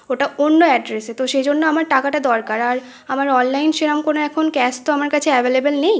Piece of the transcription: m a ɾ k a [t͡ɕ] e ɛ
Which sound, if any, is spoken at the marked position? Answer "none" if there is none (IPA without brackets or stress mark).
t͡ɕʰ